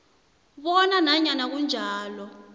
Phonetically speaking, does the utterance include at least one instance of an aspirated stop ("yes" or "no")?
no